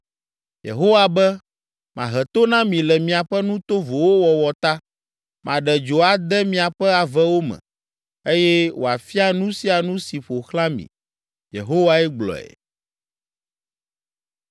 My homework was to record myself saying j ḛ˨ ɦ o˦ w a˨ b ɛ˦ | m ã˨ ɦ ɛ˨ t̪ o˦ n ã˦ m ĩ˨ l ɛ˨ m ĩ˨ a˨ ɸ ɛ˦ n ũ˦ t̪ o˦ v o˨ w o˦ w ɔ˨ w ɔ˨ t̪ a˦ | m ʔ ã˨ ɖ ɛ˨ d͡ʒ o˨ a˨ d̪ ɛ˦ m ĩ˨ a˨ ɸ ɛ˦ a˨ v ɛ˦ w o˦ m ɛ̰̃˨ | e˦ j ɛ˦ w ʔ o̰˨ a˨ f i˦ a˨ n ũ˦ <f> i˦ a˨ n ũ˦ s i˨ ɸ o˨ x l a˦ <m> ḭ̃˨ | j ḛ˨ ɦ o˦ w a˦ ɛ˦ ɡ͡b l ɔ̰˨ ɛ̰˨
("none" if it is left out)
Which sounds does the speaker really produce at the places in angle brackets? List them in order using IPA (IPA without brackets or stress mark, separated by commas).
s, m